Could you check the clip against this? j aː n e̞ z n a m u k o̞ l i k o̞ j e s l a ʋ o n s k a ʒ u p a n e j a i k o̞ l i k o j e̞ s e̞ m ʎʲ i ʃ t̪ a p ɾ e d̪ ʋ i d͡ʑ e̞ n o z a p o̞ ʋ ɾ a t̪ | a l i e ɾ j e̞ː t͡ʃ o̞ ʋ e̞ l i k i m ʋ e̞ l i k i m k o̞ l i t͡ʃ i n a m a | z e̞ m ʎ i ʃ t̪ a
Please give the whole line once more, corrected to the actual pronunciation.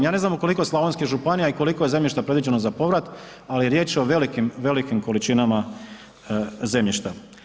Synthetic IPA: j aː n e̞ z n a m u k o̞ l i k o̞ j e s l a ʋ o n s k i ʒ u p a n i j a i k o̞ l i k o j e̞ z e̞ m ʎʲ i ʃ t̪ a p ɾ e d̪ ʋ i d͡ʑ e̞ n o z a p o̞ ʋ ɾ a t̪ | a l i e ɾ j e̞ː t͡ʃ o̞ ʋ e̞ l i k i m ʋ e̞ l i k i m k o̞ l i t͡ʃ i n a m a | z e̞ m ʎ i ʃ t̪ a

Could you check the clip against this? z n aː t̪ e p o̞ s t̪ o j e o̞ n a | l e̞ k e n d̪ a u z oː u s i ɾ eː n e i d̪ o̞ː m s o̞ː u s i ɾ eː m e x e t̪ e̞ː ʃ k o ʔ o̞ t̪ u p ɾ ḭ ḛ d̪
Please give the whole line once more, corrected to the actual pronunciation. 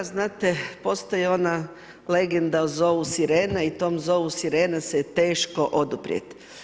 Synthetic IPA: z n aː t̪ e p o̞ s t̪ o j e o̞ n a | l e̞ ɡ e n d̪ a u z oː u s i ɾ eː n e i t̪ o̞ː m z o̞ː u s i ɾ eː n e s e t̪ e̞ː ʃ k o ʔ o̞ d̪ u p ɾ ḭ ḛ t̪

